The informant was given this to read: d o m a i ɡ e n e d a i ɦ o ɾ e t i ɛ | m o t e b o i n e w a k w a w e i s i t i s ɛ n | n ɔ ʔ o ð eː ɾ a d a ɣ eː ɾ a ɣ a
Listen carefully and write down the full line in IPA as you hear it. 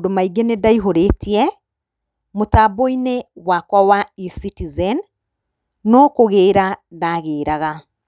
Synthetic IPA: d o m a i ɡ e n e d a i ɦ o ɾ e t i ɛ | m o t a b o i n e w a k w a w a i s i t i z ɛ n | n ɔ k o ɣ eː ɾ a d a ɣ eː ɾ a ɣ a